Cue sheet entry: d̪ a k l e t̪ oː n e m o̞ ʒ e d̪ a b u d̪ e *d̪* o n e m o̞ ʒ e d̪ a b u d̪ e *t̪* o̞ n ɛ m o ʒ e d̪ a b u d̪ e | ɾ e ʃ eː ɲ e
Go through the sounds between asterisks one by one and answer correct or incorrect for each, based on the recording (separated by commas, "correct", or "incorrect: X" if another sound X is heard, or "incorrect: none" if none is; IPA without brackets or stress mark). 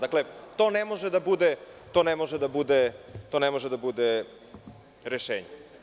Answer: incorrect: t̪, correct